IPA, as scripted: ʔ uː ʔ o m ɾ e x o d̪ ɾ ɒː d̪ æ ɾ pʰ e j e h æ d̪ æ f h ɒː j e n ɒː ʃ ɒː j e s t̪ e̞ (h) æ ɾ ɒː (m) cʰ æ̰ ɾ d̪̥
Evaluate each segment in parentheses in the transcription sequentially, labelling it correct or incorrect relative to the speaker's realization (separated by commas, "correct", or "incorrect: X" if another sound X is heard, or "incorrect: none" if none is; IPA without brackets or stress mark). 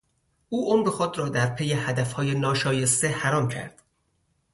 correct, correct